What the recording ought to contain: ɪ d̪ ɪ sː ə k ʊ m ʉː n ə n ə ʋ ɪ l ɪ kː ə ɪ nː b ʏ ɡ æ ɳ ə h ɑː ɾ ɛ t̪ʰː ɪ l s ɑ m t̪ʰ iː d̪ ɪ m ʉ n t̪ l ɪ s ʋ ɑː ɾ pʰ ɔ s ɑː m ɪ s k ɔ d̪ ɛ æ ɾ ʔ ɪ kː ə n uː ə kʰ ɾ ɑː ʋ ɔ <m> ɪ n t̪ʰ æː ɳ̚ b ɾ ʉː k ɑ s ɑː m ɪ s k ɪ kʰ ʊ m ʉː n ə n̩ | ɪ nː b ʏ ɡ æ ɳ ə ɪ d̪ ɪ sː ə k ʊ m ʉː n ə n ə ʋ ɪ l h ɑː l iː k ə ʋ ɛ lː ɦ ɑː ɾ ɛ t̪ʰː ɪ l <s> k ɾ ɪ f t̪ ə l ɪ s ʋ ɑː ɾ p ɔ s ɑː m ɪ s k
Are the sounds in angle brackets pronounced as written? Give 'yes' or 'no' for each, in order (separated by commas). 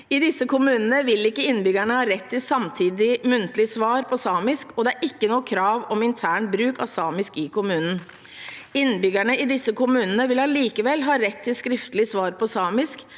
yes, yes